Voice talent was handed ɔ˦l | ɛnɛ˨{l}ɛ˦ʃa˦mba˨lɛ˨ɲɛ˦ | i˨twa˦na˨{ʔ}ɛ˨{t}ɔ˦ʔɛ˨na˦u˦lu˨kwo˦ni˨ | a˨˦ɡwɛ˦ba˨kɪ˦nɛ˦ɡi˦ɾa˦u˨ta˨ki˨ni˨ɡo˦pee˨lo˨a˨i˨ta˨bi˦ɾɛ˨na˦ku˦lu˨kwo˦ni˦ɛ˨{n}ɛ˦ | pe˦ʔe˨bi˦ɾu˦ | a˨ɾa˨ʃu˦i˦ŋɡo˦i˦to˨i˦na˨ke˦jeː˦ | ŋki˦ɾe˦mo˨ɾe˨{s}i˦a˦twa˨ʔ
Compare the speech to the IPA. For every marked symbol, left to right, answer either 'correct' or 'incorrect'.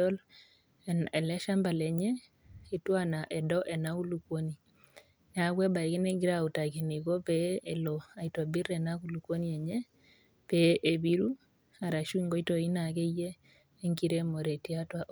correct, correct, incorrect, incorrect, incorrect

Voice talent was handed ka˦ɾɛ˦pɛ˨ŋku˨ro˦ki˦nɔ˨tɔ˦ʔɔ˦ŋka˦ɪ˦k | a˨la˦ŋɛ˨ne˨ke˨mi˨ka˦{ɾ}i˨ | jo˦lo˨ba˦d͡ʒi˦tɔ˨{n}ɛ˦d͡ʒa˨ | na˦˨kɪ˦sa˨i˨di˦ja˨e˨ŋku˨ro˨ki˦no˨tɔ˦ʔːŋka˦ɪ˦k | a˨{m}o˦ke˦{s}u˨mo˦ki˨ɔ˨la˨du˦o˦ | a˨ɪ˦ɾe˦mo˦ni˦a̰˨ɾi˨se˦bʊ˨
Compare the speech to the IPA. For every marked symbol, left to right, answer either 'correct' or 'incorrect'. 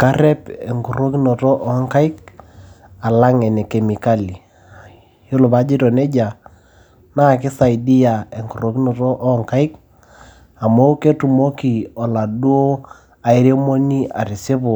incorrect, correct, correct, incorrect

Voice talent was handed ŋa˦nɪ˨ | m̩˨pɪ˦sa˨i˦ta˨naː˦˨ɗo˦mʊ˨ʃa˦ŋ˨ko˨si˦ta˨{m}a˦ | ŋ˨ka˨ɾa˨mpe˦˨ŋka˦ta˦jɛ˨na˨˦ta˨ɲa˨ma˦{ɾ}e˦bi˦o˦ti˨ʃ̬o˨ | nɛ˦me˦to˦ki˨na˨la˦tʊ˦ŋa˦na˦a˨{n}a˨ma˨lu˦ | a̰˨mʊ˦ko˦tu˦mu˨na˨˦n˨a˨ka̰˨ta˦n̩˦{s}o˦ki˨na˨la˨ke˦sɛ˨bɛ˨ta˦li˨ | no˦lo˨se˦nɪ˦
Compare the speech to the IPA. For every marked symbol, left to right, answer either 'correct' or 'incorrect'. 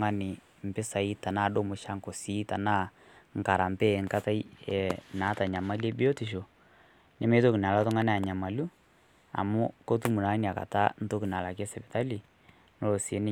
incorrect, incorrect, incorrect, incorrect

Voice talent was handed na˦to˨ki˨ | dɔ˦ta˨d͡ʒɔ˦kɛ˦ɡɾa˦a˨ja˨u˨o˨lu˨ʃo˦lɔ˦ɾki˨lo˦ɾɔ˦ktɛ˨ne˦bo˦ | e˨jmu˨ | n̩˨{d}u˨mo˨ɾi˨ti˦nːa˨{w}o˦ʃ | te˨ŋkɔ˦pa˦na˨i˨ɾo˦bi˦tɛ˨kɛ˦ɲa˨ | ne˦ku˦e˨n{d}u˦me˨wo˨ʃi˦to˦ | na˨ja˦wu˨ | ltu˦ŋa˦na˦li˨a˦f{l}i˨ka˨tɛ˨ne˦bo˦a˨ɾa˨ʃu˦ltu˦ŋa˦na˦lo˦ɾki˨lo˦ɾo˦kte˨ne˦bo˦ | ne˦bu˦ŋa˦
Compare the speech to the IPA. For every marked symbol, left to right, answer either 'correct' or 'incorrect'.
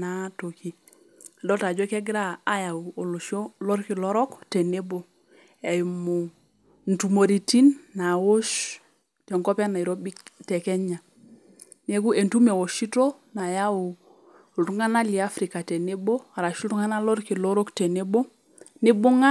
incorrect, correct, incorrect, incorrect

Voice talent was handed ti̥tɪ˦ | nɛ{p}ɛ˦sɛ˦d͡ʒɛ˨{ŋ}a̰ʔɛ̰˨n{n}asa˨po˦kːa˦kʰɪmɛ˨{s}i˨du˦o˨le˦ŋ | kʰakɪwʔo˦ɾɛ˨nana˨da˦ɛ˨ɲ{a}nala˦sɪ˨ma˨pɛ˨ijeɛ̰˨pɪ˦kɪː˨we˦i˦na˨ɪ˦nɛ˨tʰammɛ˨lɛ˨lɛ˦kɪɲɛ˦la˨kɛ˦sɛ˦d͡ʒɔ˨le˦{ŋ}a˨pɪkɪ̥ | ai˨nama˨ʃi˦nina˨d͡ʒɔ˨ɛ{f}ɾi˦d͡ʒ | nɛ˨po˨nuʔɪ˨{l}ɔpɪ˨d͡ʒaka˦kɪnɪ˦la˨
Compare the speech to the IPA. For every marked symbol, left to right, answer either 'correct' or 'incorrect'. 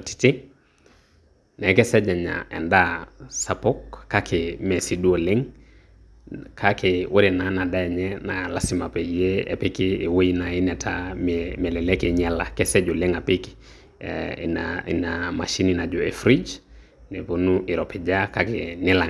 incorrect, incorrect, incorrect, correct, incorrect, correct, correct, incorrect

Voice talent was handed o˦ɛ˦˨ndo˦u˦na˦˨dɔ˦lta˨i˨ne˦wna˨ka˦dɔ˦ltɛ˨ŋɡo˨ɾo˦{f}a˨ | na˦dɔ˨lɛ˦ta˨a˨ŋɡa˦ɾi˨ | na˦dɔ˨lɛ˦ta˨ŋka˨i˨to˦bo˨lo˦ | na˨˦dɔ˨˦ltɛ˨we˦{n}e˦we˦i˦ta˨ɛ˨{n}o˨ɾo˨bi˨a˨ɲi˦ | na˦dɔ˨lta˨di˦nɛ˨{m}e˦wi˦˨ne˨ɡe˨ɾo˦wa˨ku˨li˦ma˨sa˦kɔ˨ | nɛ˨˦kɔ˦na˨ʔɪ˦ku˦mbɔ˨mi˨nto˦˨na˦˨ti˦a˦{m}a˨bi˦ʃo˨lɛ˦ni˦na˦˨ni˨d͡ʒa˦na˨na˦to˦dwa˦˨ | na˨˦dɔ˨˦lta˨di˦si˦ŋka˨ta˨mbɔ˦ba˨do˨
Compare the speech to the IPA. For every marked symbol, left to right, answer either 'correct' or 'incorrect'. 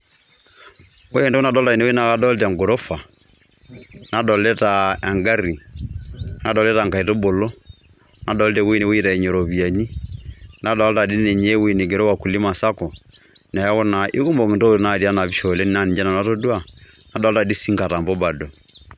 correct, correct, incorrect, incorrect, incorrect

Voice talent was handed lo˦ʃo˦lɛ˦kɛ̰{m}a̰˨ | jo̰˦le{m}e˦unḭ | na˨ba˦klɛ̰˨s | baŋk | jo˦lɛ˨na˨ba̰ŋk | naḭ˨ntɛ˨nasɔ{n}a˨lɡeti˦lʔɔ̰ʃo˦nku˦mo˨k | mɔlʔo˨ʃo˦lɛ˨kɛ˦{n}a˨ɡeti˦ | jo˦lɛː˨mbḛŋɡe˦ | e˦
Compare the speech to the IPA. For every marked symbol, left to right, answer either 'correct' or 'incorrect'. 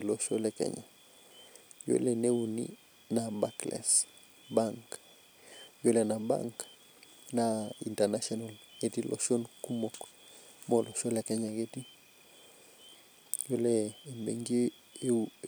incorrect, incorrect, correct, incorrect

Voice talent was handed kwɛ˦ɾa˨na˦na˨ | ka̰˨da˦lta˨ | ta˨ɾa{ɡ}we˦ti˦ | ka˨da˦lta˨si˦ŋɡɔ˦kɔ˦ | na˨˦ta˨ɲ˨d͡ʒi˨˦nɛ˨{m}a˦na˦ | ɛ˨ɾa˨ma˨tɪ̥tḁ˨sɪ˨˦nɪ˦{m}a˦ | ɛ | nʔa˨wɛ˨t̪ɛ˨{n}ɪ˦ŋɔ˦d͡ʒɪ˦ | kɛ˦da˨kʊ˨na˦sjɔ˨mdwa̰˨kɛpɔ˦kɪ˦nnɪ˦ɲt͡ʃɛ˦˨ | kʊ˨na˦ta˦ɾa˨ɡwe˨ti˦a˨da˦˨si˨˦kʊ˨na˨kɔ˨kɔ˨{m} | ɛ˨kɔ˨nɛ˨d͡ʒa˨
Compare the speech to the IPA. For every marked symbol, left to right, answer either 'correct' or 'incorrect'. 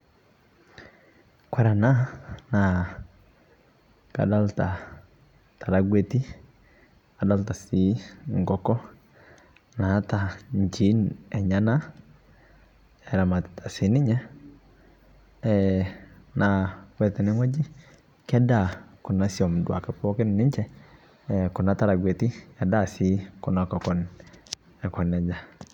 correct, incorrect, incorrect, correct, incorrect

